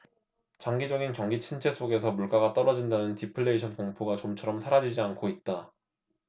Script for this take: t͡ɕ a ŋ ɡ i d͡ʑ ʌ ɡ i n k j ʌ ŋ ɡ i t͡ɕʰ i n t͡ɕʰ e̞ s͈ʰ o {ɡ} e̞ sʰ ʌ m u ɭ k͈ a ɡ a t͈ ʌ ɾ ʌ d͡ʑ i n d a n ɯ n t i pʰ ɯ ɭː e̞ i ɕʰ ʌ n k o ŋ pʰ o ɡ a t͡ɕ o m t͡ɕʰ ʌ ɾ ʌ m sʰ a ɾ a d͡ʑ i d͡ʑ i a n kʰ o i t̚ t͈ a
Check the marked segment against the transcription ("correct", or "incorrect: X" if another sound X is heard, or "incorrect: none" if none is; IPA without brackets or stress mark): correct